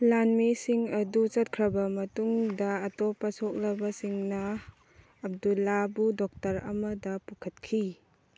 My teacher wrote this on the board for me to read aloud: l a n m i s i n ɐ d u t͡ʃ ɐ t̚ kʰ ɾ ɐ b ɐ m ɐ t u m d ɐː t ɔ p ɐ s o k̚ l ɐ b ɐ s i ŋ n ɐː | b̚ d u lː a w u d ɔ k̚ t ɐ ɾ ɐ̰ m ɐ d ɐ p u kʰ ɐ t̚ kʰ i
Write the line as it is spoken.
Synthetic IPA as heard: l a n m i s i ŋ ɐ d u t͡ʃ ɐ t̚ kʰ ɾ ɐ b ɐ m ɐ t u ŋ d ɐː t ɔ p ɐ s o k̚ l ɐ b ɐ s i ŋ n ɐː | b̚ d u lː a b u d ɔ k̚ t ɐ ɾ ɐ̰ m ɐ d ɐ p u kʰ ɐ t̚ kʰ i